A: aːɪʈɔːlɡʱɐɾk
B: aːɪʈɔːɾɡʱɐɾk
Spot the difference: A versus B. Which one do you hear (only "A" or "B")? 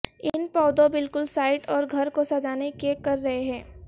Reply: B